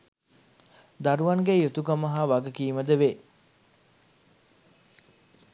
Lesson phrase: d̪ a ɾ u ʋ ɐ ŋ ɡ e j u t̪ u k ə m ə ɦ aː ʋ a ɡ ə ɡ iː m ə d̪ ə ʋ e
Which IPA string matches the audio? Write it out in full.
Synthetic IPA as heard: d̪ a ɾ u ʋ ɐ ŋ ɡ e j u t̪ u k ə m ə ɦ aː ʋ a ɡ ə k iː m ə d̪ ə ʋ e